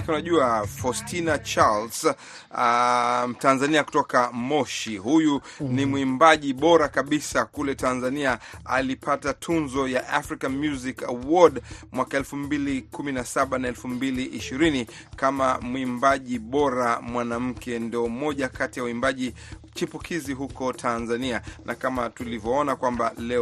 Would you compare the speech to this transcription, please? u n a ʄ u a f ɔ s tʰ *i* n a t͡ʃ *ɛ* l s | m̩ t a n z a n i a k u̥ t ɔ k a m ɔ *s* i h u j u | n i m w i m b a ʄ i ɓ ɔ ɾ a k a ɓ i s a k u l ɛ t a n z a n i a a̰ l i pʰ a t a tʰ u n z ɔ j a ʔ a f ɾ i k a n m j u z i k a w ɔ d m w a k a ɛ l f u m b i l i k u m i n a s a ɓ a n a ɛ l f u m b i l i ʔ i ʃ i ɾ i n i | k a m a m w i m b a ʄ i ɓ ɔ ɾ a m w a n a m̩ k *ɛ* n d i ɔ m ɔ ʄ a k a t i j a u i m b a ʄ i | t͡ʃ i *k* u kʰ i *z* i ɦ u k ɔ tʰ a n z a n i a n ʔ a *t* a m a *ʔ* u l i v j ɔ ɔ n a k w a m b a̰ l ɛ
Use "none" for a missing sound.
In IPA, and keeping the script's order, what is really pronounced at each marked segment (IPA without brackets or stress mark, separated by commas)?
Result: i, a, ʃ, ɛ, p, z, k, t